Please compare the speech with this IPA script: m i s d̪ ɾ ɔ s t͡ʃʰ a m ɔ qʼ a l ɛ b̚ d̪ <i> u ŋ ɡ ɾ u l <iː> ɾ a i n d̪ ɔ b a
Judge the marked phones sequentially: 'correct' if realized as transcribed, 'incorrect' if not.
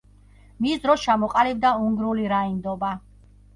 incorrect: a, incorrect: i

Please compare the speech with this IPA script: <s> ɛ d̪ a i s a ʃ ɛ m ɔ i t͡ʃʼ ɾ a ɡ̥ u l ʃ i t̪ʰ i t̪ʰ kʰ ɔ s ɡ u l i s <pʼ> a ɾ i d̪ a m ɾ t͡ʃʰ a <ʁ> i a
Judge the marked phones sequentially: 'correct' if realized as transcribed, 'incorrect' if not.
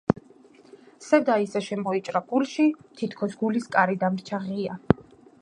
correct, incorrect: kʼ, correct

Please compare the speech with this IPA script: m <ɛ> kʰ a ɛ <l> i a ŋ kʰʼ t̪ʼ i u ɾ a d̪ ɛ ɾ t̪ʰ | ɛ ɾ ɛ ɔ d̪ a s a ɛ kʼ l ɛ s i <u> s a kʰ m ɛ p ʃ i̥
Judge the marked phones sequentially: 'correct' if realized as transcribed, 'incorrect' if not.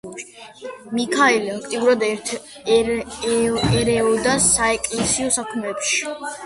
incorrect: i, correct, incorrect: ɔ

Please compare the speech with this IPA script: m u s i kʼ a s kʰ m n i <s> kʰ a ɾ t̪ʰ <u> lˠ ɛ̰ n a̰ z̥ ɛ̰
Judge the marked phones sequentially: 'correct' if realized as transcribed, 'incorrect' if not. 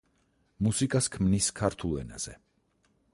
correct, correct

